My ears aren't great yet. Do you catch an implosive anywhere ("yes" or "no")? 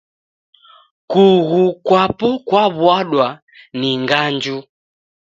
yes